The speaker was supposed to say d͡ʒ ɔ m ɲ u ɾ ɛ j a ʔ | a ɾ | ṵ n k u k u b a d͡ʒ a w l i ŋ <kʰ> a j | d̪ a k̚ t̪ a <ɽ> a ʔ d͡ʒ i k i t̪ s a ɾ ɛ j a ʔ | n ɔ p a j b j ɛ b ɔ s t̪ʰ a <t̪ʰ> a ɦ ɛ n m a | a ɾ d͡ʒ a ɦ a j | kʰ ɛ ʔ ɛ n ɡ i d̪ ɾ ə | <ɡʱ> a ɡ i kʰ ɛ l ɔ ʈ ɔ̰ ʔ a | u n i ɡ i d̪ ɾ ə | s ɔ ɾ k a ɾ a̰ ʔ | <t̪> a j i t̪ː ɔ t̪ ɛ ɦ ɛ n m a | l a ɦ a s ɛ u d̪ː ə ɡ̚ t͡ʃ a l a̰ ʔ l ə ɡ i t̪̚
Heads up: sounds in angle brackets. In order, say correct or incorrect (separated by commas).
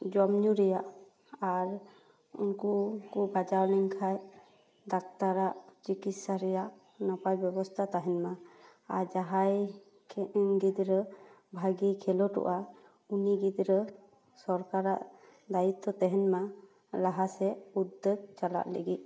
correct, incorrect, incorrect, incorrect, incorrect